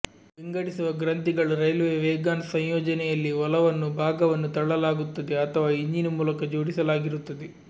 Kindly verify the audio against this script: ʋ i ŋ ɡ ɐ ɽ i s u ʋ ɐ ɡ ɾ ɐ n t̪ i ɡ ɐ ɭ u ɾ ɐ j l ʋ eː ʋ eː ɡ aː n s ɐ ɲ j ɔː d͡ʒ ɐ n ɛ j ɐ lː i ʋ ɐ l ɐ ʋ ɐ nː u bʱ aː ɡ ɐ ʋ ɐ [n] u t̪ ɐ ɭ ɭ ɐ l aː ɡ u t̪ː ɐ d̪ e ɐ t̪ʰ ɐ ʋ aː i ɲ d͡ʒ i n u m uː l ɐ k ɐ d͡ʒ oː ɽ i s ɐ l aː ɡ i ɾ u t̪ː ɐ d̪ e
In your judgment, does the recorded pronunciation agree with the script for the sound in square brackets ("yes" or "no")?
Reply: no